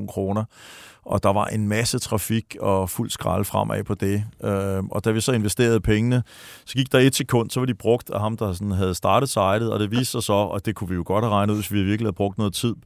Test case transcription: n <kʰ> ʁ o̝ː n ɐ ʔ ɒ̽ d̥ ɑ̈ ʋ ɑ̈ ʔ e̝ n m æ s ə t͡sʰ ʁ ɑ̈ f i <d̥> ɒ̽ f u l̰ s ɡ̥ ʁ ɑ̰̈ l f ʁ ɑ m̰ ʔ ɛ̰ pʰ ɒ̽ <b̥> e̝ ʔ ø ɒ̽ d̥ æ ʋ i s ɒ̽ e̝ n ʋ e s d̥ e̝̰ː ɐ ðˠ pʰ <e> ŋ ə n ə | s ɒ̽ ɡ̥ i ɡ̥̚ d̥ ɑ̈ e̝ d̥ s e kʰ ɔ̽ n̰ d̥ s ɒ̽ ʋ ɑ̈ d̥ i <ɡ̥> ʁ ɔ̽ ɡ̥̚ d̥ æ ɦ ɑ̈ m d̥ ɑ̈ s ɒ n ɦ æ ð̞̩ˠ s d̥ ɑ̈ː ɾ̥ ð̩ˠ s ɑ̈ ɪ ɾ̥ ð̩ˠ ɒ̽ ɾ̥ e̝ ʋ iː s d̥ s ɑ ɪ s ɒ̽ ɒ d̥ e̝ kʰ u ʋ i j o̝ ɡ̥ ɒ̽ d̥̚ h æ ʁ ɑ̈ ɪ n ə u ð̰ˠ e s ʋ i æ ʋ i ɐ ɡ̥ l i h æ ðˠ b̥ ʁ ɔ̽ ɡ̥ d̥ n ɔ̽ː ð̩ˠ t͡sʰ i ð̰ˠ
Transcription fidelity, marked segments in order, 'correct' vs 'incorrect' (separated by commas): correct, incorrect, incorrect, correct, incorrect